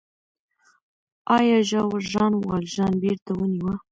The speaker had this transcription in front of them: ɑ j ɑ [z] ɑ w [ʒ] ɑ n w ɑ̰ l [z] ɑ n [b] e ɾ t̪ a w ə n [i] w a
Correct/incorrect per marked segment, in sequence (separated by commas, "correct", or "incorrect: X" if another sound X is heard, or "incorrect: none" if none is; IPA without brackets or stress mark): incorrect: ʒ, correct, incorrect: ʒ, correct, correct